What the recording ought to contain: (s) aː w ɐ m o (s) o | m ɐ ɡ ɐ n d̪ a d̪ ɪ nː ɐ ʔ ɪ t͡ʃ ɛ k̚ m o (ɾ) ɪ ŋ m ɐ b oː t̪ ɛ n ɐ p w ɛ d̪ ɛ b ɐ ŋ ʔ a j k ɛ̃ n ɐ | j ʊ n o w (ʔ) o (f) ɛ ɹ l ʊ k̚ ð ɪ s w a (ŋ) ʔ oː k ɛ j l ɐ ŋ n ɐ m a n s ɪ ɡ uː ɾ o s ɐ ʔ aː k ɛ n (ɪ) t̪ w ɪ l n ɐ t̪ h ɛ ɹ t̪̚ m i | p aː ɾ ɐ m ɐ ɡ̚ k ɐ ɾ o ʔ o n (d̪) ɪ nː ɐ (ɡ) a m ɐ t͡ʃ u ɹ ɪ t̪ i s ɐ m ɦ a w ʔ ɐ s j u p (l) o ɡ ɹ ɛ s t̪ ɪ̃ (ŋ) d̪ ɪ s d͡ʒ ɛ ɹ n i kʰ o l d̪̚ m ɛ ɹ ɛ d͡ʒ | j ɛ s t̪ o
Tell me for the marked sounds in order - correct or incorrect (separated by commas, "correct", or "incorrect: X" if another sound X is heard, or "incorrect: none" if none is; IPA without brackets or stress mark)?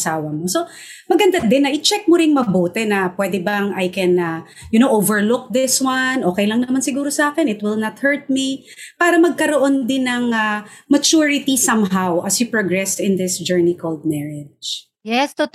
correct, correct, correct, correct, incorrect: v, incorrect: n, correct, correct, incorrect: ŋ, incorrect: ɹ, incorrect: n